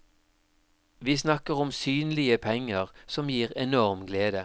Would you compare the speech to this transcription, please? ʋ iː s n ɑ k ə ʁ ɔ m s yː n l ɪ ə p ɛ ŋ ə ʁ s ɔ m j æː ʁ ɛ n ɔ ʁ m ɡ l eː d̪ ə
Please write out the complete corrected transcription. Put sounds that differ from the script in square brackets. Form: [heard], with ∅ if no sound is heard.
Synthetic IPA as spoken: ʋ iː s n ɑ k ə ʁ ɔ m s yː n l ɪ ə [pʰ] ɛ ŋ ə ʁ s ɔ m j [iː] ʁ ɛ n ɔ ʁ m ɡ l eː d̪ ə